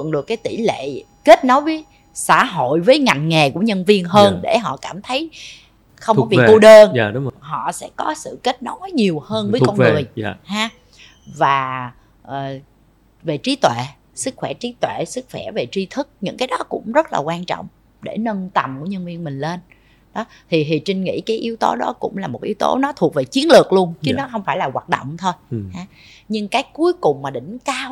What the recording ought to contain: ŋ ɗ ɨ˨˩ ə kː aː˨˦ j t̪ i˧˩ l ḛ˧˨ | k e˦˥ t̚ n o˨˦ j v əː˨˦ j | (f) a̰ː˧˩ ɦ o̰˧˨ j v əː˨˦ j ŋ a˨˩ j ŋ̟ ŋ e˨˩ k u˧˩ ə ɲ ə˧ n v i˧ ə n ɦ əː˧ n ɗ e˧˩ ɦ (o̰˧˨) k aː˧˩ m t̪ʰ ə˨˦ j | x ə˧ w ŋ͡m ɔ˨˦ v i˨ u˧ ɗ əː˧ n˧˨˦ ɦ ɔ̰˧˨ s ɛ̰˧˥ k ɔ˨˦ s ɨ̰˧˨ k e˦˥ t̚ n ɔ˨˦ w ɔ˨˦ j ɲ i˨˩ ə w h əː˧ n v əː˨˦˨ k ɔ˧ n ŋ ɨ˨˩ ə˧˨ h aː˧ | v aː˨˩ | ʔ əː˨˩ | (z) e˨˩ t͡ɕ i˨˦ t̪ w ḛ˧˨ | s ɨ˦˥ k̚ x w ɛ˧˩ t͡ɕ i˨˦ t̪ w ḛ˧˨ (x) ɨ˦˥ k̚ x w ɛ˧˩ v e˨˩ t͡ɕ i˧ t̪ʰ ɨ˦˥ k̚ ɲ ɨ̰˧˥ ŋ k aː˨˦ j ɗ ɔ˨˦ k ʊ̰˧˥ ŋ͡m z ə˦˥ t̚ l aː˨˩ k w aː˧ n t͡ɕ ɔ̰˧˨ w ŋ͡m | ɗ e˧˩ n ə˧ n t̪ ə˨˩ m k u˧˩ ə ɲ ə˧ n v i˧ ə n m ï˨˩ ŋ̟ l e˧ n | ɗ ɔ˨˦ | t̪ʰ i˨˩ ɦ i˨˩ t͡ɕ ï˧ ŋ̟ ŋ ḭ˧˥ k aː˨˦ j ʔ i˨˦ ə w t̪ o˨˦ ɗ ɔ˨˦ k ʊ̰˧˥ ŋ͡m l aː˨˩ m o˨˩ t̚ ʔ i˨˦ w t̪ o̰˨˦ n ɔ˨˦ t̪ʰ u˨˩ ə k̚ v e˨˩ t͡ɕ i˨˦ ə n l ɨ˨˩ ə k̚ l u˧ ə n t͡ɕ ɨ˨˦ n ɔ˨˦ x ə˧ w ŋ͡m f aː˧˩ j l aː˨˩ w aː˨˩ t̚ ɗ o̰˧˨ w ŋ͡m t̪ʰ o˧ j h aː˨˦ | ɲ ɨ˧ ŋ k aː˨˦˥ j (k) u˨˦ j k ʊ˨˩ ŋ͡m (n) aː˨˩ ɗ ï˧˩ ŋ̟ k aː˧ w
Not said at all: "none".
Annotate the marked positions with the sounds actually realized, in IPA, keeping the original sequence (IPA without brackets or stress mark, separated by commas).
s, ɔ̰˧˨, v, s, k, m